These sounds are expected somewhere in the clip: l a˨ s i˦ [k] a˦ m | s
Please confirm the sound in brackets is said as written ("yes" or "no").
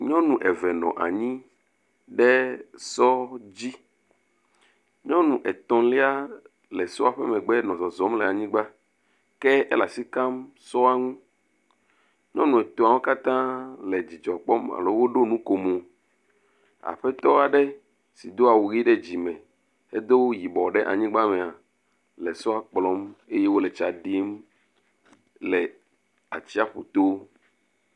yes